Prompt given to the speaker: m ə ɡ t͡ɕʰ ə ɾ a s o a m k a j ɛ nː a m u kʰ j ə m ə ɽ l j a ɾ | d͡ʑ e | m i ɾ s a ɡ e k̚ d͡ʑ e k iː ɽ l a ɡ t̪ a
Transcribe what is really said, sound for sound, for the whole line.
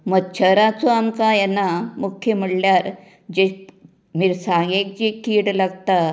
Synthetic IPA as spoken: m ə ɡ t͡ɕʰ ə ɾ a t͡s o a m k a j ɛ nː a m u kʰ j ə m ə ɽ l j a ɾ | d͡ʑ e | m i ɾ s a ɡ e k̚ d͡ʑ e k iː ɽ l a ɡ t̪ a